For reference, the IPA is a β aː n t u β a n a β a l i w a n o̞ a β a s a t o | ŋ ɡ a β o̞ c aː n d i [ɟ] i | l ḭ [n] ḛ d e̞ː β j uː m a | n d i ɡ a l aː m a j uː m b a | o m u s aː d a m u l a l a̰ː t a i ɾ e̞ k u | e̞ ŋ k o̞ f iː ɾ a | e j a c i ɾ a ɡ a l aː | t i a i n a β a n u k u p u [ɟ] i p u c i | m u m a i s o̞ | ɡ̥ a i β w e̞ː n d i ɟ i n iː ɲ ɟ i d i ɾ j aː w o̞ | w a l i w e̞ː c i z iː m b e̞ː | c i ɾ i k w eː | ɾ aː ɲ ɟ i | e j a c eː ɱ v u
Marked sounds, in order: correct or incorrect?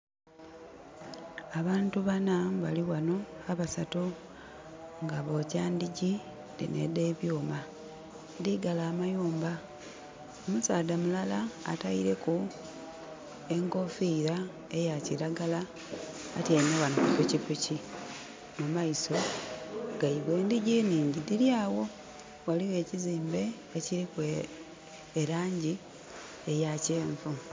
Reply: correct, correct, incorrect: c

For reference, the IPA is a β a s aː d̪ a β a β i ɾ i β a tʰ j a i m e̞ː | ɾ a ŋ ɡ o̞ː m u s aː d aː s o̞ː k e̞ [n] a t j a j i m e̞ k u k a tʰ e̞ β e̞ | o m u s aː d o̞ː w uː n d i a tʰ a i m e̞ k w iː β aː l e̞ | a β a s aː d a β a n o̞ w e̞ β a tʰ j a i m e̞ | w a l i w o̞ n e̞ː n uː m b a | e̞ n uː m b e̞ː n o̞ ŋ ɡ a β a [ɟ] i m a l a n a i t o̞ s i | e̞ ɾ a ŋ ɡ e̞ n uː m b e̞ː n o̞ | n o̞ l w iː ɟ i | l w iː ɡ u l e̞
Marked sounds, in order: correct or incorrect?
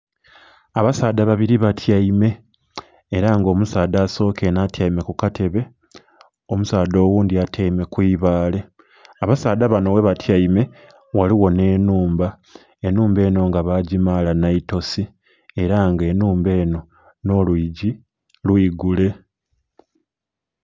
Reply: correct, correct

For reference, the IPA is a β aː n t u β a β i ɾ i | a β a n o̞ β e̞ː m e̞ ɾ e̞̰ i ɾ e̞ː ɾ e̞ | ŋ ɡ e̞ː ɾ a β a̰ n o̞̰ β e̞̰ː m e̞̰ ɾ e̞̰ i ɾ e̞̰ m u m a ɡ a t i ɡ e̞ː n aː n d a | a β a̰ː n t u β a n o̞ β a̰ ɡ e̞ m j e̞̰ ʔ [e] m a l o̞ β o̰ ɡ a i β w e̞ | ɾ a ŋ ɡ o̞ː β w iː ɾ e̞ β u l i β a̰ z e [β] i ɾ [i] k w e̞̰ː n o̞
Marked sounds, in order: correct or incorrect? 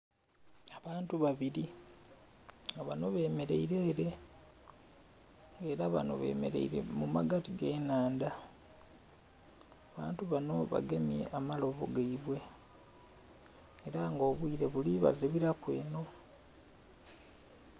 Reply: incorrect: a, correct, incorrect: a

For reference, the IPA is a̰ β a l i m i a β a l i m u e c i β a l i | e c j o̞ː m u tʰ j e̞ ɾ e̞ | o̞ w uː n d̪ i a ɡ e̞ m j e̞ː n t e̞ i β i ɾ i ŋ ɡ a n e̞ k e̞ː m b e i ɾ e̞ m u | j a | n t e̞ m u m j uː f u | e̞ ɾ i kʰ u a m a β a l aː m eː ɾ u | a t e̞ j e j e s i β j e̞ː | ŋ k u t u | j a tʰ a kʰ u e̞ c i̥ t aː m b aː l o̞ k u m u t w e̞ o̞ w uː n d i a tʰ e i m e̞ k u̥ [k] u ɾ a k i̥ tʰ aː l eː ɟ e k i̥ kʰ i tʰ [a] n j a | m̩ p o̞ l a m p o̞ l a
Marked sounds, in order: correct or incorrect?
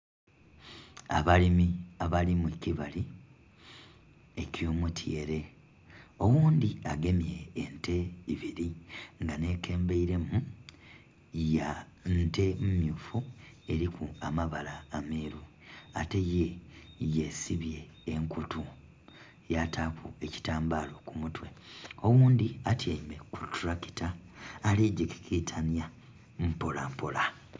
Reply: incorrect: t, correct

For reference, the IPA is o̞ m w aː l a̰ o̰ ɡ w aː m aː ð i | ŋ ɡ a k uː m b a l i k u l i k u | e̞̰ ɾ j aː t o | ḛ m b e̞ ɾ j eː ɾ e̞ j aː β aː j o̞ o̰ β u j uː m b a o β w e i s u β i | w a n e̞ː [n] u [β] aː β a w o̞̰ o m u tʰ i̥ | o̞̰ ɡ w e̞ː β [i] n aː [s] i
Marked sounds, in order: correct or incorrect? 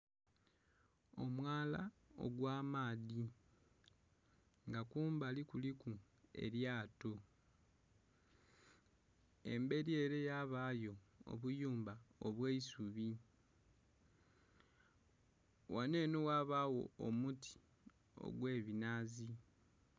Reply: correct, incorrect: w, correct, incorrect: z

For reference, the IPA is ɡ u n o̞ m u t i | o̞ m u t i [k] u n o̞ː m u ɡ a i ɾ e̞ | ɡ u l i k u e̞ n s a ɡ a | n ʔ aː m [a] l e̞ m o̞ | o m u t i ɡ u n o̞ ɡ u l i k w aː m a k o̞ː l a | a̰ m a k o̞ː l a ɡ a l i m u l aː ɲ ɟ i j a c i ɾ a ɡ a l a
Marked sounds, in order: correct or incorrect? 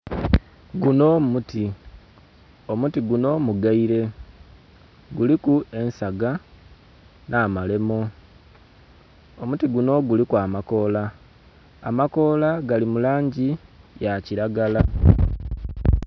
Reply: incorrect: ɡ, correct

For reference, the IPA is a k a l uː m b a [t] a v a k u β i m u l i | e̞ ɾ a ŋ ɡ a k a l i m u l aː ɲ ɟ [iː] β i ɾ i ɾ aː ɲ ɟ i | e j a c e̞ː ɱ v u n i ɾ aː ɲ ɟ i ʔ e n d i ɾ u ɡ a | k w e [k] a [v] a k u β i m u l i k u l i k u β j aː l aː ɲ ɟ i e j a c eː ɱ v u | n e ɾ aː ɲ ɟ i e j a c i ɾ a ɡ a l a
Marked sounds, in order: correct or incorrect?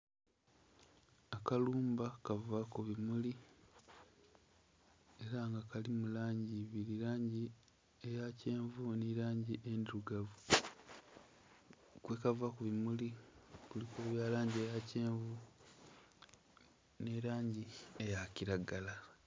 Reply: incorrect: k, incorrect: i, correct, correct

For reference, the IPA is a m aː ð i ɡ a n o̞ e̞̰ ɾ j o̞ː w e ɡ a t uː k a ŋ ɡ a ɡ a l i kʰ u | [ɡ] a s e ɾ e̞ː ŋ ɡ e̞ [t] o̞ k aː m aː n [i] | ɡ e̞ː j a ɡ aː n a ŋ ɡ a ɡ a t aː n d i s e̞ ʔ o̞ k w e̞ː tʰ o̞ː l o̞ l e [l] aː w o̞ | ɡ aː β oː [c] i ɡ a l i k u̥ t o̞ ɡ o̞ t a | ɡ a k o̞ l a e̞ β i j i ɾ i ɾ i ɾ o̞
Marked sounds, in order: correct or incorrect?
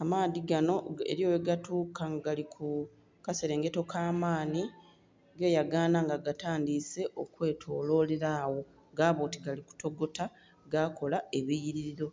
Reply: incorrect: k, correct, correct, incorrect: ɾ, incorrect: t

